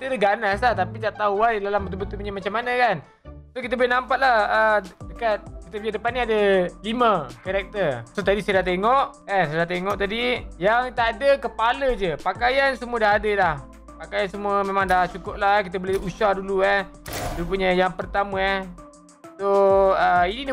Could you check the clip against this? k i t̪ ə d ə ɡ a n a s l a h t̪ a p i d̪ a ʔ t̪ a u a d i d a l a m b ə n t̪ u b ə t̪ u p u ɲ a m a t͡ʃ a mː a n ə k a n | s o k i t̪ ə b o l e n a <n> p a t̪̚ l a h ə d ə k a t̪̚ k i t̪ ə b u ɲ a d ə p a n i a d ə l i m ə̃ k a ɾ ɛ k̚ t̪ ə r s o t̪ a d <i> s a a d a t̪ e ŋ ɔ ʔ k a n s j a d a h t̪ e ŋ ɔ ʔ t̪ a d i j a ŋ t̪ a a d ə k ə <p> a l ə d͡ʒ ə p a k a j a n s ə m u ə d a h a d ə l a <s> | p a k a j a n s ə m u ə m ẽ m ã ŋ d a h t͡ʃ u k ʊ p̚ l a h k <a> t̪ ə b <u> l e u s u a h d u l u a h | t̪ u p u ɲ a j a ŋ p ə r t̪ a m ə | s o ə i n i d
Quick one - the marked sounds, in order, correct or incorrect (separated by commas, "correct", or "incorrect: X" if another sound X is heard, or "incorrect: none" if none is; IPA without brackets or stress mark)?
incorrect: m, correct, correct, incorrect: h, incorrect: i, incorrect: o